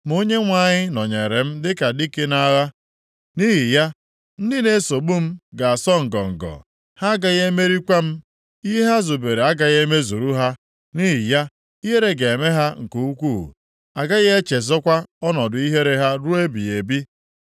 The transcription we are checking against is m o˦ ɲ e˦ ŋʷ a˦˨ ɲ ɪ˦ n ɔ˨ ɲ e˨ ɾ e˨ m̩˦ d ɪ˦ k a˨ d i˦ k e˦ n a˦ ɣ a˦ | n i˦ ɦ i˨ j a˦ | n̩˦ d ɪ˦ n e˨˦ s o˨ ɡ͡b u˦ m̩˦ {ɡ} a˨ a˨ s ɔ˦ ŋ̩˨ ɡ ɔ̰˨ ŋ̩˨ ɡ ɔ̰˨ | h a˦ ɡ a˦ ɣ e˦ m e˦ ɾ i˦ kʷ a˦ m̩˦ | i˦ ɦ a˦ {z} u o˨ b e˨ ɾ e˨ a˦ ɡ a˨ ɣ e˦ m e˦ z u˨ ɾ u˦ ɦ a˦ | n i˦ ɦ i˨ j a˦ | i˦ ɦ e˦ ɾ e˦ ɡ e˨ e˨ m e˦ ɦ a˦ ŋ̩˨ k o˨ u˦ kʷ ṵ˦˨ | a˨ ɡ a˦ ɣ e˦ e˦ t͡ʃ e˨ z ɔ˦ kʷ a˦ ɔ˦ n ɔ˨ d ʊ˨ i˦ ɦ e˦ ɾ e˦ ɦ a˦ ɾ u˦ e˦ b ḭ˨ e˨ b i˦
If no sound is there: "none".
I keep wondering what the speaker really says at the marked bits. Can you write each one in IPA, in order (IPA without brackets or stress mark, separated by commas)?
ɡ, z